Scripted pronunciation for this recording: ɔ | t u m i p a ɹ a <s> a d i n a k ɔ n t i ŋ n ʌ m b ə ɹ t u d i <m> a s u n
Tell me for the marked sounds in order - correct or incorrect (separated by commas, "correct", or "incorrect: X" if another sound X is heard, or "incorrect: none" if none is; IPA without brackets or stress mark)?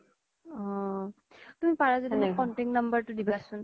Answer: incorrect: z, incorrect: b